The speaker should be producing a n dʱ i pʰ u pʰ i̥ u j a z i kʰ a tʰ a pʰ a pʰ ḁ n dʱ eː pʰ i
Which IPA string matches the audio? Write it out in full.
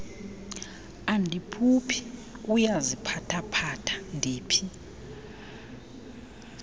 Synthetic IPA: a n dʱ i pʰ u pʰ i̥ u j a z i pʰ a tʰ a pʰ a tʰ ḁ n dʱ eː pʰ i